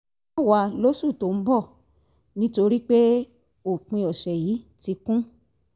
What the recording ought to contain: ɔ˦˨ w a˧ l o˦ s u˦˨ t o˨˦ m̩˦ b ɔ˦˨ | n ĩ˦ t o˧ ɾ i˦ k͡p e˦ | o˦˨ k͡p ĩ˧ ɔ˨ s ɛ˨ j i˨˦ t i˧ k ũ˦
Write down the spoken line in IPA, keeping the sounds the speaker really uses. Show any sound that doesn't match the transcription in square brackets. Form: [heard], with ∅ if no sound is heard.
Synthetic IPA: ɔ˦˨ w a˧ l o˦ s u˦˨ t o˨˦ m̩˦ b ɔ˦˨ | n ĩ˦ t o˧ ɾ i˦ k͡p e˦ | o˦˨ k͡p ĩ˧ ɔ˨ [ʃ] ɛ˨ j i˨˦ t i˧ k ũ˦